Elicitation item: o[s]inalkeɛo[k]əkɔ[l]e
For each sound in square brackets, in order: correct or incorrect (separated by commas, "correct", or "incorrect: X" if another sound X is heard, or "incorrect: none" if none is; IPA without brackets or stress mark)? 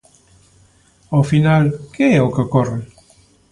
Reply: incorrect: f, correct, incorrect: r